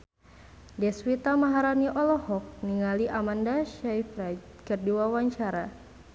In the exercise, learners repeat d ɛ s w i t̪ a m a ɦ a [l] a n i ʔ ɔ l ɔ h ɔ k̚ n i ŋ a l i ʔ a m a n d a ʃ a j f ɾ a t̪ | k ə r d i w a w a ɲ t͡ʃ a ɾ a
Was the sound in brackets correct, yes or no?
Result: no